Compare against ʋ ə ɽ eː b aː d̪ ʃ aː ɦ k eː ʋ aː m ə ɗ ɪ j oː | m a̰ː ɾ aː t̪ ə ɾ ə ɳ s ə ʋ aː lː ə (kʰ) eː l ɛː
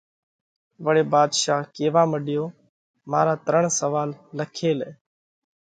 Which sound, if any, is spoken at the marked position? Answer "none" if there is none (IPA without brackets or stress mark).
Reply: kʰ